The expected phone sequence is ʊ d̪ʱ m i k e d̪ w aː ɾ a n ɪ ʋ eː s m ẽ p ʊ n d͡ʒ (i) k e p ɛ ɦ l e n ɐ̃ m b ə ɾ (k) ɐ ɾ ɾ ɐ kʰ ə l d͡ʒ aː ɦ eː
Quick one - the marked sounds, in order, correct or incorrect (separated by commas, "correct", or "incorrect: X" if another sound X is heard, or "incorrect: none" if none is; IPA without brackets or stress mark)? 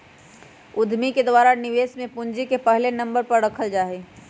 correct, incorrect: p